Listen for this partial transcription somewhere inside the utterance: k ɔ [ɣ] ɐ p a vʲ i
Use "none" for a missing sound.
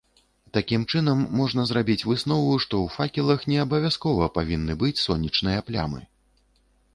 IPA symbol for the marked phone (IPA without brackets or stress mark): v